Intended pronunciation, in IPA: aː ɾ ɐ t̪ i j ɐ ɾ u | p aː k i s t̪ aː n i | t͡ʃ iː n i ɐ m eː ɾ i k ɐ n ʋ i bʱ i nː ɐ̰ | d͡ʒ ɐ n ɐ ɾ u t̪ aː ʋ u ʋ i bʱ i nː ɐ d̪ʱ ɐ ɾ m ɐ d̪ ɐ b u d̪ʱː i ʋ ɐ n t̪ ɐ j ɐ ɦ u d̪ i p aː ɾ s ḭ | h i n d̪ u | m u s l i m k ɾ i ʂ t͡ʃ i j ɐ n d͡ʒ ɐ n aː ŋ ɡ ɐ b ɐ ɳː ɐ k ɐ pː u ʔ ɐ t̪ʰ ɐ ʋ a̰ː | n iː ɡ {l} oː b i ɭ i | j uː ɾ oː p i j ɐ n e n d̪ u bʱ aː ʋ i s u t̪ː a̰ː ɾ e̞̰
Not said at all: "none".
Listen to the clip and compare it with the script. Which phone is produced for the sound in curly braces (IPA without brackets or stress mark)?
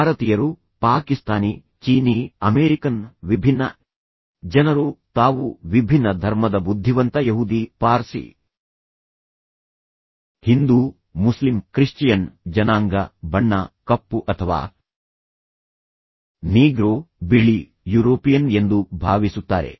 ɾ